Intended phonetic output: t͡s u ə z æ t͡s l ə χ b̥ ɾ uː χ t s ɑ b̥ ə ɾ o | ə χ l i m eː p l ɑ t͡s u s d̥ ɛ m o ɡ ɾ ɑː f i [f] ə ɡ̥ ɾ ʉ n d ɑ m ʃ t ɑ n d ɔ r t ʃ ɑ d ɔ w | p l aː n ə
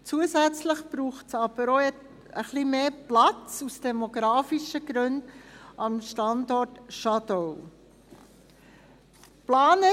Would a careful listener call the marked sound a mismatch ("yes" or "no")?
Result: yes